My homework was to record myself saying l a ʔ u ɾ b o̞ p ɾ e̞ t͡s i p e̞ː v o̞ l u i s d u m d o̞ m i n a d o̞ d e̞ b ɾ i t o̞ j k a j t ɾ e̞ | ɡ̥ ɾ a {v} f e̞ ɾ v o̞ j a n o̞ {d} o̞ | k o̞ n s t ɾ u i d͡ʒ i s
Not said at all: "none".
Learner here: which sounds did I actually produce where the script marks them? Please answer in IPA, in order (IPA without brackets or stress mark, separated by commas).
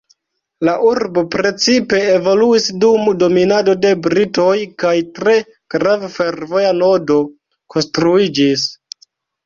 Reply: v, d